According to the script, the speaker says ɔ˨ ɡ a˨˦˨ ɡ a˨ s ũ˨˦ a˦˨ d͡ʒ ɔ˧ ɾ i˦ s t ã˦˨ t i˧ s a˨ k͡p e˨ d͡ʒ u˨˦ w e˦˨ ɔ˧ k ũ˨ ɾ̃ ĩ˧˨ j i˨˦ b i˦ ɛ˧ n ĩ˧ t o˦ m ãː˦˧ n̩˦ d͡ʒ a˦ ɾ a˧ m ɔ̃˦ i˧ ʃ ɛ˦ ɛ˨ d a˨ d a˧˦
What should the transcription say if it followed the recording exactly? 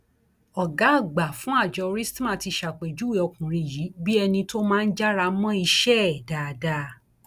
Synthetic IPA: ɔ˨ ɡ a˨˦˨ ɡ͡b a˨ f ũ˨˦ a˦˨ d͡ʒ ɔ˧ ɾ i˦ s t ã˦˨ t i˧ ʃ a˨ k͡p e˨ d͡ʒ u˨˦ w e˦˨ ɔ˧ k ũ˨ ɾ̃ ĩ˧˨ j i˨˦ b i˦ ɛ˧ n ĩ˧ t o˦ m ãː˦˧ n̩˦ d͡ʒ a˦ ɾ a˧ m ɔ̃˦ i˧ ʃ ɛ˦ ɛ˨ d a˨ d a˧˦

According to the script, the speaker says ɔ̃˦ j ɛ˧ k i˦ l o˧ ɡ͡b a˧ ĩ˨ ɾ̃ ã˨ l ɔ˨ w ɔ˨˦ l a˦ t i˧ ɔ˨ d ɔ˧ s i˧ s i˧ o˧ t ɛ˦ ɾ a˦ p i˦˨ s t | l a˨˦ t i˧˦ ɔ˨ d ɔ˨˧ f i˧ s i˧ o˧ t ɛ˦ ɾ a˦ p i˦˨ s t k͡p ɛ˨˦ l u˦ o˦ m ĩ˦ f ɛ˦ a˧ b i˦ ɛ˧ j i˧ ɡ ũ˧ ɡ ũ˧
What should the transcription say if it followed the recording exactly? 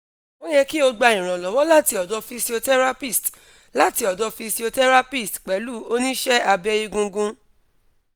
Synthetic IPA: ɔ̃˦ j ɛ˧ k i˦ o˧ ɡ͡b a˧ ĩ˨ ɾ̃ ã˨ l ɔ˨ w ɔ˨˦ l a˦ t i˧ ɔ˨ d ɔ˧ f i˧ s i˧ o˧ t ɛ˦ ɾ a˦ p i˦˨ s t | l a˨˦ t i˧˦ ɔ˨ d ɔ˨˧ f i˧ s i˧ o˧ t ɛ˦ ɾ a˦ p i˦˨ s t k͡p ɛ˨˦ l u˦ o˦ n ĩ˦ ʃ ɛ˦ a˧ b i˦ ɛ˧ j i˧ ɡ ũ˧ ɡ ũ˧

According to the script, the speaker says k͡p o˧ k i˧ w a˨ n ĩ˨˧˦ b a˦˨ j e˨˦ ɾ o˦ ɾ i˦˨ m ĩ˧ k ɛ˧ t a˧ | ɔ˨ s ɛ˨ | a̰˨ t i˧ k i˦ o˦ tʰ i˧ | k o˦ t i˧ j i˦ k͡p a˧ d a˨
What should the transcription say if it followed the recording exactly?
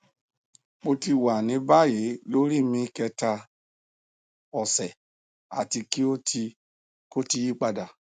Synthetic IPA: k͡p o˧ t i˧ w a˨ n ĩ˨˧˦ b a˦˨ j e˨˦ l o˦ ɾ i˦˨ m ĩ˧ k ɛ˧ t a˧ | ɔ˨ s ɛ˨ | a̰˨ t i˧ k i˦ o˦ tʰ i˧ | k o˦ t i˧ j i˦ k͡p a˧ d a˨

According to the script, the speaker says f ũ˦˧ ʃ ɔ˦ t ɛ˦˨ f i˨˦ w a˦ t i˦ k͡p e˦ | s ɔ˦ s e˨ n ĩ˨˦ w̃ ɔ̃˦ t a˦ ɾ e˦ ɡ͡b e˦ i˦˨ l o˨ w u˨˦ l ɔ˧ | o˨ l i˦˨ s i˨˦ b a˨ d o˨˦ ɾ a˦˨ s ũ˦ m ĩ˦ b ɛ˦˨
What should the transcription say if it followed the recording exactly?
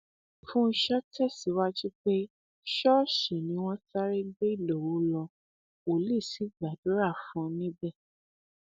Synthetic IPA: f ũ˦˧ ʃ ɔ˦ t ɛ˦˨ s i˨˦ w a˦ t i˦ k͡p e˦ | ʃ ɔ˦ ʃ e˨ n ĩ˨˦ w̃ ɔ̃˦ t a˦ ɾ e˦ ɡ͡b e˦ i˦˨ l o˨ w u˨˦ l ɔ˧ | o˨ l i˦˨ s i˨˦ ɡ͡b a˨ d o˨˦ ɾ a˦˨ f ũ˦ n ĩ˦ b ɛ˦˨

